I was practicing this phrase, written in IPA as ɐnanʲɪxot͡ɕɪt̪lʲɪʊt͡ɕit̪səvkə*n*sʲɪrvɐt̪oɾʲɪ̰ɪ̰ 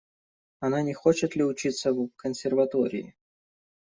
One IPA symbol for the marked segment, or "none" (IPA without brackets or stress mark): n